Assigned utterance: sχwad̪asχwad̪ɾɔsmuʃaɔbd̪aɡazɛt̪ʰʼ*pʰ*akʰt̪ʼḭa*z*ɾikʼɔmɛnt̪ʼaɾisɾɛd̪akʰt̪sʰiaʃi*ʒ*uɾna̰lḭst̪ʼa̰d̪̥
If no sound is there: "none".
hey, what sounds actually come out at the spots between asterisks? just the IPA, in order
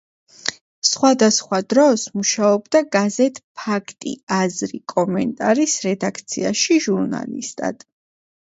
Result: pʰ, z, ʒ

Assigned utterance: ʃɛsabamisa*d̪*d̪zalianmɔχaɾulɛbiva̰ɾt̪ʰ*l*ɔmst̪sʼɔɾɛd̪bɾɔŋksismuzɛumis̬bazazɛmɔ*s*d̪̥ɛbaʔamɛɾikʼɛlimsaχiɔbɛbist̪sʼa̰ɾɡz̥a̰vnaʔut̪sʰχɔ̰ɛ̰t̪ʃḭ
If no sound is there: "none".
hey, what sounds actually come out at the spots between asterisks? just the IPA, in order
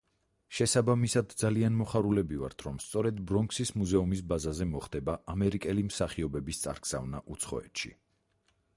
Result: d̪, ɾ, χ

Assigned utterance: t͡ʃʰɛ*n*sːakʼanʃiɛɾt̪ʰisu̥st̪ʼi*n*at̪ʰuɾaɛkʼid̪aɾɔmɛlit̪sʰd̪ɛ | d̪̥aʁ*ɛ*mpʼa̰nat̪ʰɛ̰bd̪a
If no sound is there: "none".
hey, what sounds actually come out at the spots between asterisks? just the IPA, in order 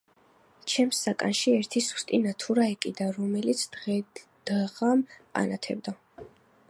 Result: m, n, a

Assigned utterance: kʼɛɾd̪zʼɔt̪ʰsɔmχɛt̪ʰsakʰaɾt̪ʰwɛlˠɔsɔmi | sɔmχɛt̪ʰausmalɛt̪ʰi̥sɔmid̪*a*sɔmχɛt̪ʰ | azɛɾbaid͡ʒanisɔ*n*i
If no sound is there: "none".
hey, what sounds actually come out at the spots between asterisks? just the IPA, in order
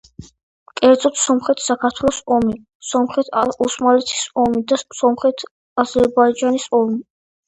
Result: a, m

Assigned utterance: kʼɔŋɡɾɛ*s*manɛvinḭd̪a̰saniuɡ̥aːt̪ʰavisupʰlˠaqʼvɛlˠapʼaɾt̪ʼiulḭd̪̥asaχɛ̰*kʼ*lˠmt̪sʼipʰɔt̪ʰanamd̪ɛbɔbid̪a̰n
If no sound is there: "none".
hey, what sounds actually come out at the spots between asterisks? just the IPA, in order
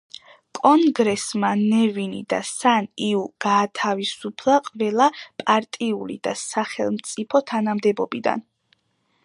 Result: s, none

